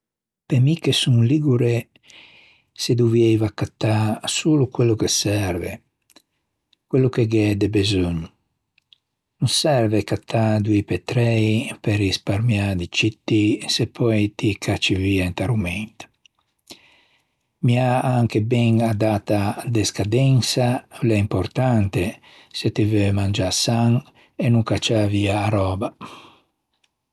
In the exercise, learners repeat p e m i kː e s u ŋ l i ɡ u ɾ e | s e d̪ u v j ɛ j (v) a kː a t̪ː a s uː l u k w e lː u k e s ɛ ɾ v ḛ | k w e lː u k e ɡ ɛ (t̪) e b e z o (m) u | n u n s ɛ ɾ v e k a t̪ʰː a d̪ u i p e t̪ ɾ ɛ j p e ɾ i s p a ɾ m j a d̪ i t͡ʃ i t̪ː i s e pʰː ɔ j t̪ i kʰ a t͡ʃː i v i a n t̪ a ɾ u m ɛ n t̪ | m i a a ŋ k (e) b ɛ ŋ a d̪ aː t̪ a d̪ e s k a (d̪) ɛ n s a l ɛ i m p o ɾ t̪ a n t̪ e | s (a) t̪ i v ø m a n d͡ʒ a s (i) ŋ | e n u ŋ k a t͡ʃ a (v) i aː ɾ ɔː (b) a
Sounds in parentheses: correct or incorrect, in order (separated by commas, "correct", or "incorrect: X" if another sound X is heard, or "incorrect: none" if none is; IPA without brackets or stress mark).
correct, incorrect: d̪, incorrect: ɲ, correct, correct, incorrect: e, incorrect: a, correct, correct